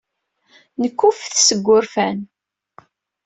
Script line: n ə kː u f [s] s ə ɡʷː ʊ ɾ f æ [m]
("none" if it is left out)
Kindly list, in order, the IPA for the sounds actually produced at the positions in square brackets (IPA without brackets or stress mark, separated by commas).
θ, n